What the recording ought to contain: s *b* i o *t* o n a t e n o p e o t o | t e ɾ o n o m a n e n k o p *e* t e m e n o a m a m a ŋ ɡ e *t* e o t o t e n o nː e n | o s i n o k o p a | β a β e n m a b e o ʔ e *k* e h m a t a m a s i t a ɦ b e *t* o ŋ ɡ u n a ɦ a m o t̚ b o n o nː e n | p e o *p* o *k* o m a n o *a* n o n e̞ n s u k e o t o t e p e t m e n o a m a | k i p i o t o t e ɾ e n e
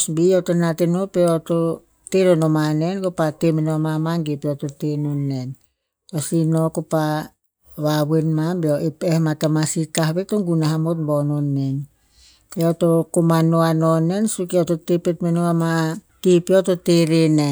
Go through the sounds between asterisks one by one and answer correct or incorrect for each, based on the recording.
correct, correct, incorrect, incorrect, incorrect, correct, incorrect, correct, correct

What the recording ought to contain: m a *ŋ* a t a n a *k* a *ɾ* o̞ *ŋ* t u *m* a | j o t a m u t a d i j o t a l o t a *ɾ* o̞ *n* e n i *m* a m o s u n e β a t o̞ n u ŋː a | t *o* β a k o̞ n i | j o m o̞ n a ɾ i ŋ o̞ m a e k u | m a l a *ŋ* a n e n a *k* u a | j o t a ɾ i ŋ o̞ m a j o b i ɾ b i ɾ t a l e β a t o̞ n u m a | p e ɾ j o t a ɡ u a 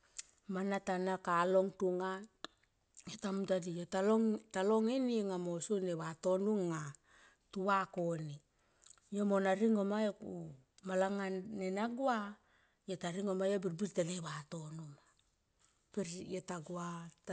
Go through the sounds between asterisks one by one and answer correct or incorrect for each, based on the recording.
incorrect, correct, incorrect, correct, incorrect, incorrect, incorrect, incorrect, incorrect, correct, incorrect

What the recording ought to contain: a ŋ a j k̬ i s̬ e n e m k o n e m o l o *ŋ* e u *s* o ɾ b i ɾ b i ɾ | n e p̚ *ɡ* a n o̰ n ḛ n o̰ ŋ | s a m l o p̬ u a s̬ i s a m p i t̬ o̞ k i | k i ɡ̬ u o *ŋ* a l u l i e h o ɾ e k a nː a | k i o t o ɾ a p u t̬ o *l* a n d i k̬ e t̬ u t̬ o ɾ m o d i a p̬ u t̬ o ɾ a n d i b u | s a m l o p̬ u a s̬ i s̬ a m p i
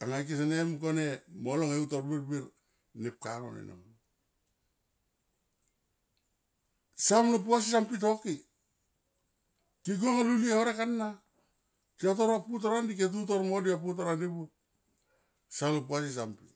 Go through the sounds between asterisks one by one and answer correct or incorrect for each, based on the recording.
correct, incorrect, incorrect, correct, incorrect

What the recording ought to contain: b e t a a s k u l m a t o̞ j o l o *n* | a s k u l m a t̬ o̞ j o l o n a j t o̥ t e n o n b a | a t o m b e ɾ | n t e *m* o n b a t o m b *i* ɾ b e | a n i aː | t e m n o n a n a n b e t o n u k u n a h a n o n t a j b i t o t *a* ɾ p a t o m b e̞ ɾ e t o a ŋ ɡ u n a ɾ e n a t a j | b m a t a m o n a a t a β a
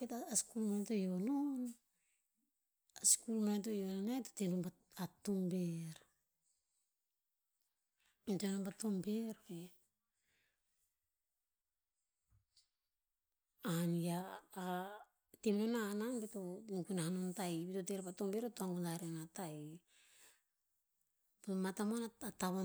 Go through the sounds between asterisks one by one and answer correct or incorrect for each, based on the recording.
correct, incorrect, incorrect, incorrect

